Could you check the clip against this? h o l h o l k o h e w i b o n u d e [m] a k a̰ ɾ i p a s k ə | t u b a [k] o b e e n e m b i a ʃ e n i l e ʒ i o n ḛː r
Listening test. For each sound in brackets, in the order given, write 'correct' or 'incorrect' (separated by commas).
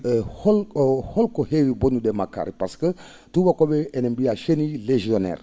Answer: correct, correct